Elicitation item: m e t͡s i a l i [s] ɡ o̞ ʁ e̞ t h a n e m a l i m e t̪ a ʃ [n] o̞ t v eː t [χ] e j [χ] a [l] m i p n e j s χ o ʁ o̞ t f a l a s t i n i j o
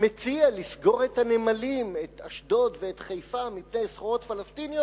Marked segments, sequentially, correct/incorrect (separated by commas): correct, incorrect, correct, incorrect, incorrect